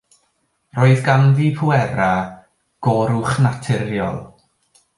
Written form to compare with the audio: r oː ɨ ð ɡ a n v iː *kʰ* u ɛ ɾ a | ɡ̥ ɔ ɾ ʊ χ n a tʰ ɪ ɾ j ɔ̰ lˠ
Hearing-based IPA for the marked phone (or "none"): pʰ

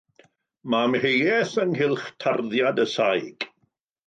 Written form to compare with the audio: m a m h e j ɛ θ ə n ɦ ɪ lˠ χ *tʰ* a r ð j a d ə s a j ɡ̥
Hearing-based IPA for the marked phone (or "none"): tʰ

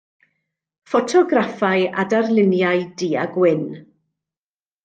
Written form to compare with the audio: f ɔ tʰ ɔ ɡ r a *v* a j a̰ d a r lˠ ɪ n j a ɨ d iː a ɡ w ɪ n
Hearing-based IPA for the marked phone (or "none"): f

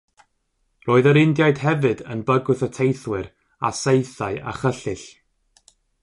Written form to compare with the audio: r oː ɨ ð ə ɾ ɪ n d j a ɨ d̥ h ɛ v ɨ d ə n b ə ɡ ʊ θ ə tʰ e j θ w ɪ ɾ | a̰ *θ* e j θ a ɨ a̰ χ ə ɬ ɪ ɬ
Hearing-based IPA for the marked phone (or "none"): s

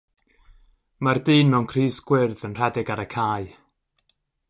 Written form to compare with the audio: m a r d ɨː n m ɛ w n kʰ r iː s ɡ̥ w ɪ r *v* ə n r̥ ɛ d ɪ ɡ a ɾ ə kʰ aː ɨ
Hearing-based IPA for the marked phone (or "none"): ð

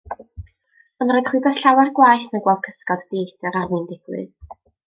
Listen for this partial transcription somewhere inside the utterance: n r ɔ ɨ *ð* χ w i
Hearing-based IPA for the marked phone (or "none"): ð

